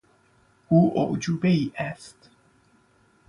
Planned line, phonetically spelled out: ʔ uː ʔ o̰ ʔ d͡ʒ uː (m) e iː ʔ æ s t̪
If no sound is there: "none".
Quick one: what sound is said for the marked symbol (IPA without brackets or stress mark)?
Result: b